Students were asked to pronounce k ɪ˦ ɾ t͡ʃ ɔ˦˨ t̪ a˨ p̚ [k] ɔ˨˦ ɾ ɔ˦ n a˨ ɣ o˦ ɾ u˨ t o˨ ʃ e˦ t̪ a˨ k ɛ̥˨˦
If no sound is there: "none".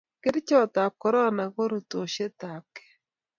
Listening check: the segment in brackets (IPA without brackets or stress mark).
k